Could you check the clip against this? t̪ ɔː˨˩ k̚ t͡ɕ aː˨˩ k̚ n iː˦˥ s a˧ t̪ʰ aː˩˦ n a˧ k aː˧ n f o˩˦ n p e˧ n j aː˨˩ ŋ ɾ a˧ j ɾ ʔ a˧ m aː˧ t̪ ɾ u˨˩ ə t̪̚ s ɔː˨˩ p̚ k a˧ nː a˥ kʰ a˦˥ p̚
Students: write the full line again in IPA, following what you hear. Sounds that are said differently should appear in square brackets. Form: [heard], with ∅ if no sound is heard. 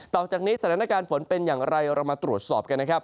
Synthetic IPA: t̪ ɔː˨˩ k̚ t͡ɕ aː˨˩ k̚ n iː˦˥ s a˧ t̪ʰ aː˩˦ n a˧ k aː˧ n f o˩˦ n p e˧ n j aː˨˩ ŋ ɾ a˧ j ɾ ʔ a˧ m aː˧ t̪ ɾ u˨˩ ə t̪̚ s ɔː˨˩ p̚ k a˧ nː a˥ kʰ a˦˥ p̚